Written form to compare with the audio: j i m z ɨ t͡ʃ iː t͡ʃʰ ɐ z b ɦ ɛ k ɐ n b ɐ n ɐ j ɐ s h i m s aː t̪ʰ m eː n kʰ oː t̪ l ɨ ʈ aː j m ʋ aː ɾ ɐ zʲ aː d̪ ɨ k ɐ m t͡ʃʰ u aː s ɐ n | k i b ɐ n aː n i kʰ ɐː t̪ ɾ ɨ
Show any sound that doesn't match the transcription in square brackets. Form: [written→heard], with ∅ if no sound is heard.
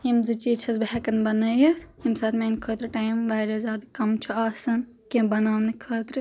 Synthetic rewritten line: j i m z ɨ t͡ʃ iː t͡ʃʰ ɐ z b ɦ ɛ k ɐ n b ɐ n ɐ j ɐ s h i m s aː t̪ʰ m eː n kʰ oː t̪ [l→ɾ] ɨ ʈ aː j m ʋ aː ɾ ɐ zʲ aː d̪ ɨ k ɐ m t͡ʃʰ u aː s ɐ n | k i b ɐ n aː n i kʰ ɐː t̪ ɾ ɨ